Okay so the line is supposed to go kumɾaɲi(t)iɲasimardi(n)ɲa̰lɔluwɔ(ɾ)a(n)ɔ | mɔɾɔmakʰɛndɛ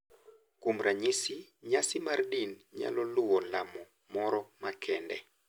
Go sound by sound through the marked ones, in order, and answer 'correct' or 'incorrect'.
incorrect: s, correct, incorrect: l, incorrect: m

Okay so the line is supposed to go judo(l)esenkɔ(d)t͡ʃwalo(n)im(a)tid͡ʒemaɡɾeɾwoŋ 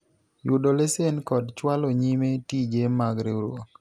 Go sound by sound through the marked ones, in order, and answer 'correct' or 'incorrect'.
correct, correct, incorrect: ɲ, incorrect: e

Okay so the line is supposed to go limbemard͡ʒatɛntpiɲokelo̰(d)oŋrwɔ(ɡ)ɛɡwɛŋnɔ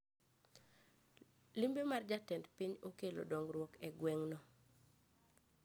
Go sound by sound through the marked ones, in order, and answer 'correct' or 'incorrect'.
correct, incorrect: k

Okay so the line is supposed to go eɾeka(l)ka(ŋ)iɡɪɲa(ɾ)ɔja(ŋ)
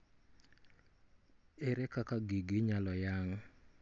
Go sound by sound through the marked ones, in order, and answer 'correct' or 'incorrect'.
incorrect: none, incorrect: ɡ, incorrect: l, correct

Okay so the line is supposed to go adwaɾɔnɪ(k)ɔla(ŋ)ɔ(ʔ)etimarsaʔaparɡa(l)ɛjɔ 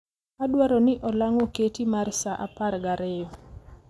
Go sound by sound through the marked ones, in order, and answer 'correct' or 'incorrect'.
incorrect: ʔ, correct, incorrect: k, incorrect: ɾ

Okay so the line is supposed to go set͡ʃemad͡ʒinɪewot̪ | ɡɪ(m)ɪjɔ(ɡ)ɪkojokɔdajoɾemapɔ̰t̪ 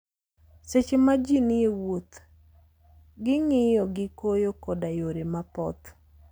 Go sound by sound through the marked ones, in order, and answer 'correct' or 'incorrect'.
incorrect: ŋ, correct

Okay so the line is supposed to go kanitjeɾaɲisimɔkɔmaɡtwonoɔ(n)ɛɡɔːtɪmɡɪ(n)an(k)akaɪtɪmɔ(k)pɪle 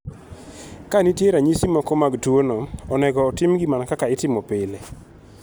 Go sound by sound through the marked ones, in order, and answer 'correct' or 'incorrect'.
correct, incorrect: m, correct, incorrect: none

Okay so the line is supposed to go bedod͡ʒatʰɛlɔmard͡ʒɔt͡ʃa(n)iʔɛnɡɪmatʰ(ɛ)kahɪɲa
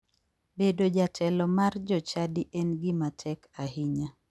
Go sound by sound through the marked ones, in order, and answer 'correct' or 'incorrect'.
incorrect: d, correct

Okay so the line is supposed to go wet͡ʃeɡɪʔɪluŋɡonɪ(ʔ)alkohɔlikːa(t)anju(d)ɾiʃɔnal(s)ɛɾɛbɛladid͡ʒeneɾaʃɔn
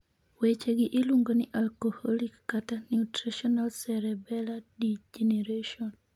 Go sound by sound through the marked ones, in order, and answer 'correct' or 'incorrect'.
correct, correct, incorrect: t, correct

